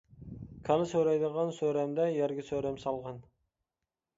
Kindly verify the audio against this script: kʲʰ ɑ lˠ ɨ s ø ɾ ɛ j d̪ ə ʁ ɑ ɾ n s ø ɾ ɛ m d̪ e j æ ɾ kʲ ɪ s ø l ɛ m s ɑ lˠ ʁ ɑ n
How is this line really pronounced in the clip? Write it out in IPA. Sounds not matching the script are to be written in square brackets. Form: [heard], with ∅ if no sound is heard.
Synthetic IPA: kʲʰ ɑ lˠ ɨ s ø ɾ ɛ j d̪ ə ʁ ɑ [∅] n s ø ɾ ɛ m d̪ [ɛ] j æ ɾ [ɡʲ] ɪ s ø [ɾ] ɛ m s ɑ lˠ ʁ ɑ n

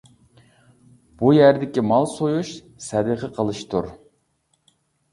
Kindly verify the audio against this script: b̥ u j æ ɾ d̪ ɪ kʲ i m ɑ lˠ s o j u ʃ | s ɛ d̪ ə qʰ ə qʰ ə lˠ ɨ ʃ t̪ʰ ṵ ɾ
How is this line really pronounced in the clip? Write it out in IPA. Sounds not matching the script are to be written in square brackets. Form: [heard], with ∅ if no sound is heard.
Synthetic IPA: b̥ u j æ ɾ d̪ ɪ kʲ i m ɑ lˠ s o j u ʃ | s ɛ d̪ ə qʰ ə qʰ ə lˠ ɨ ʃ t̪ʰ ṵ ɾ

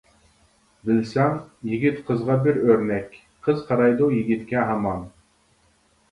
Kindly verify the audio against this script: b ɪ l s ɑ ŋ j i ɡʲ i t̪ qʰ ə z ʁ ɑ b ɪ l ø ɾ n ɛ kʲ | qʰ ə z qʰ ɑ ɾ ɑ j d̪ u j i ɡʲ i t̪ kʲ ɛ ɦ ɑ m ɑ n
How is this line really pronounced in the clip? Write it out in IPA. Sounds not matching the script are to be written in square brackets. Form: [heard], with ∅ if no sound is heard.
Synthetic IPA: b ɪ l s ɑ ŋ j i ɡʲ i t̪ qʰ ə z ʁ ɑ b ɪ [ɾ] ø ɾ n ɛ kʲ | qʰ ə z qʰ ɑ ɾ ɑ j d̪ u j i ɡʲ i t̪ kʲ ɛ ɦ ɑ m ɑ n

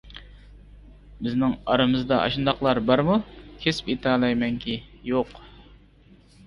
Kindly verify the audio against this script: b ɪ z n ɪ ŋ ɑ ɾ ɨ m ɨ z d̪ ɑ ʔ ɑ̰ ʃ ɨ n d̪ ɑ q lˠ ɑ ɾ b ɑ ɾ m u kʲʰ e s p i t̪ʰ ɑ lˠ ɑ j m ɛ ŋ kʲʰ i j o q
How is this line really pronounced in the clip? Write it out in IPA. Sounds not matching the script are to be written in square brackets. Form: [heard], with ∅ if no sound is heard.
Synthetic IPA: b ɪ z n ɪ ŋ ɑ ɾ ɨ m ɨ z d̪ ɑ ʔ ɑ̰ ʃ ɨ n d̪ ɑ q lˠ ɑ ɾ b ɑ ɾ m u kʲʰ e s p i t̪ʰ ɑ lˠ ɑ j m ɛ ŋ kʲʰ i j o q

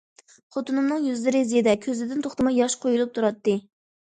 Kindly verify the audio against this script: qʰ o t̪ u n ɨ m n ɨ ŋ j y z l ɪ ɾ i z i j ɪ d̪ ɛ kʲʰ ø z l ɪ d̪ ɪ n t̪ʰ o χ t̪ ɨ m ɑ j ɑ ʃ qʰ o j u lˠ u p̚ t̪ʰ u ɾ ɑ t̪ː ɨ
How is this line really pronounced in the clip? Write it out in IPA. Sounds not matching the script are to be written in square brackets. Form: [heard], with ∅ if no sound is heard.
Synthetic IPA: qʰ o t̪ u n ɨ m n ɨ ŋ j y z l ɪ ɾ [ɪ] z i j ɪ d̪ ɛ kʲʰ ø z l ɪ d̪ ɪ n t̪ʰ o χ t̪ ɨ m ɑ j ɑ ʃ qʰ o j u lˠ u p̚ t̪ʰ u ɾ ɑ t̪ː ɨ

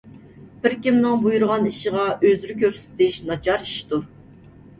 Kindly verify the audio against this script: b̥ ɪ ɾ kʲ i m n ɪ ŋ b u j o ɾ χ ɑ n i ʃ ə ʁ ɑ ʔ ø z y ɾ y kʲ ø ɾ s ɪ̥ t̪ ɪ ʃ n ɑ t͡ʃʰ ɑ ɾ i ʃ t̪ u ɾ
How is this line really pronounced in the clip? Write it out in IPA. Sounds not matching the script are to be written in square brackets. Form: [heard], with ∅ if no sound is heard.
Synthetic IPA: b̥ ɪ ɾ kʲ i m n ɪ ŋ b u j [u] ɾ [ʁ] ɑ n i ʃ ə ʁ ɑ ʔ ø z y ɾ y kʲ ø ɾ s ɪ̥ t̪ ɪ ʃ n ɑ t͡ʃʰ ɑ ɾ i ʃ t̪ u ɾ

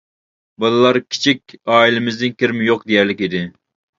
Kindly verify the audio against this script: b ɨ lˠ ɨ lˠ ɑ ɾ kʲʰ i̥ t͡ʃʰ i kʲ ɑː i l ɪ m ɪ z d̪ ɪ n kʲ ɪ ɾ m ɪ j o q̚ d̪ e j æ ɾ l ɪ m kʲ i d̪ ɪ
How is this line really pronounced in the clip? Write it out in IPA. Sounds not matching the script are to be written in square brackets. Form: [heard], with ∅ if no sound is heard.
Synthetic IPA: b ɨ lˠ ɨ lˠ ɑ ɾ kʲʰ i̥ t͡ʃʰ i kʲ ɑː i l ɪ m ɪ z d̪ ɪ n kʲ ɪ ɾ m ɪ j o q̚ d̪ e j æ ɾ l ɪ [∅] kʲ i d̪ ɪ

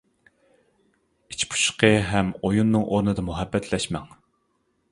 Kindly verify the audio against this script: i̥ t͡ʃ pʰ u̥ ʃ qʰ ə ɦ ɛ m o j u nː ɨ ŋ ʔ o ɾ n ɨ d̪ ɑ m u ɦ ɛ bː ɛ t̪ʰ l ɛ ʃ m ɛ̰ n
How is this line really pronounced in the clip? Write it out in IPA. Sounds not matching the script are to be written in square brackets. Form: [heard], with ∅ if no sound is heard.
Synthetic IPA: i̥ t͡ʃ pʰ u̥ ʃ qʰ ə ɦ ɛ m o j u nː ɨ ŋ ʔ o ɾ n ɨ d̪ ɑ m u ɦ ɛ bː ɛ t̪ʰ l ɛ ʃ m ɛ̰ [ŋ]

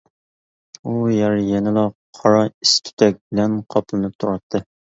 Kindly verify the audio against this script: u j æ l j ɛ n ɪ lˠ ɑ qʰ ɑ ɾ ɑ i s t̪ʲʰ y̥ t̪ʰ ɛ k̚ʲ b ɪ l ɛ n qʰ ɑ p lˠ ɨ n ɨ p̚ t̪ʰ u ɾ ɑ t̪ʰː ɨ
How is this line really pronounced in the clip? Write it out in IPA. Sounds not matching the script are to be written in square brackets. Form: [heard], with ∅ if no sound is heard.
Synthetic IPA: u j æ [ɾ] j ɛ n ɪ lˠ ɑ qʰ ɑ ɾ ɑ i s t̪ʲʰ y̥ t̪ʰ ɛ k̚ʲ b ɪ l ɛ n qʰ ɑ p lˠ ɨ n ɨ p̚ t̪ʰ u ɾ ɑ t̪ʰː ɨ

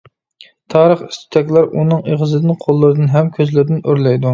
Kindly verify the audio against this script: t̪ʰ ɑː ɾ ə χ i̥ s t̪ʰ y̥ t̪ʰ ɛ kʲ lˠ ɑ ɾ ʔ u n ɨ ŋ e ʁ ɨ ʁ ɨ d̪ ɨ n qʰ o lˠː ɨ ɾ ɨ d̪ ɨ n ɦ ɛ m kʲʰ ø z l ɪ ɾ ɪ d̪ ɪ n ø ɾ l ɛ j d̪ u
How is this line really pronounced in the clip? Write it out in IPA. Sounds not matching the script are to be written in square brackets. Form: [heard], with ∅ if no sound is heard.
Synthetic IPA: t̪ʰ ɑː ɾ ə χ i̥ s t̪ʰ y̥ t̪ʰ ɛ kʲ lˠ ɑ ɾ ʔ u n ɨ ŋ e ʁ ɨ [z] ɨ d̪ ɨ n qʰ o lˠː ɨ ɾ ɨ d̪ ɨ n ɦ ɛ m kʲʰ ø z l ɪ ɾ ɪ d̪ ɪ n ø ɾ l ɛ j d̪ u

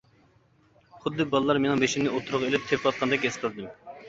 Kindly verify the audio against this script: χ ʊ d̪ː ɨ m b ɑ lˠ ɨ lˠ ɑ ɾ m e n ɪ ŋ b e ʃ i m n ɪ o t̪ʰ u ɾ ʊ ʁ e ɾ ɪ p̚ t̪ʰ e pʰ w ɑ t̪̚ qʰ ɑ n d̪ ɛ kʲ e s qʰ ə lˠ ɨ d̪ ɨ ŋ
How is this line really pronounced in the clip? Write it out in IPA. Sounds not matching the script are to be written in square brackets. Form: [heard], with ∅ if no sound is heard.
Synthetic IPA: χ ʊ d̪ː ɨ [∅] b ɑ lˠ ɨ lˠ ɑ ɾ m e n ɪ ŋ b e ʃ i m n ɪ o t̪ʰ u ɾ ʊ ʁ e [l] ɪ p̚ t̪ʰ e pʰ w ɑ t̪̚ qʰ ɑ n d̪ ɛ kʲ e s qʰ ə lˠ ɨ d̪ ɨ [m]

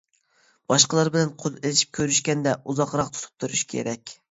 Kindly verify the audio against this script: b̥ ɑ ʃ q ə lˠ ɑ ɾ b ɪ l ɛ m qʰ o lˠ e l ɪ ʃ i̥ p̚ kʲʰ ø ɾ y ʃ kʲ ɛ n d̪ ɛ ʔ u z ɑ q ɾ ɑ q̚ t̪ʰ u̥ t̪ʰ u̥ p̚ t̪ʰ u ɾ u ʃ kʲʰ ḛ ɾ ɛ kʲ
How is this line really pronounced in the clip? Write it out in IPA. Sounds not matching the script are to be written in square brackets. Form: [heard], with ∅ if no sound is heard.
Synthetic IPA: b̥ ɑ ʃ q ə lˠ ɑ ɾ b ɪ l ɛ [n] qʰ o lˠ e l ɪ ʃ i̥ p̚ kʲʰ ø ɾ y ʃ kʲ ɛ n d̪ ɛ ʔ u z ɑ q ɾ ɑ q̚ t̪ʰ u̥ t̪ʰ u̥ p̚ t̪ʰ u ɾ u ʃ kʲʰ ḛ ɾ ɛ kʲ

